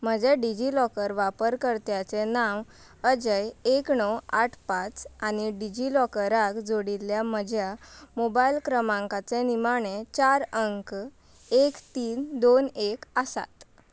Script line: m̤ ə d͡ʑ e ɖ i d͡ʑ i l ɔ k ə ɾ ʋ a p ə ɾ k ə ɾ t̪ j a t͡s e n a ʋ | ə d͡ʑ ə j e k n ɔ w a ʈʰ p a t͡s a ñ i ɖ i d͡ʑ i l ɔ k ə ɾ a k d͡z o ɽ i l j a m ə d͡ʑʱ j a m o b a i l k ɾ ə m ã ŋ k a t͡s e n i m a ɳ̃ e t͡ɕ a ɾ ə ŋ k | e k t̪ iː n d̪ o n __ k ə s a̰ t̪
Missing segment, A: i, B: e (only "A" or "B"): B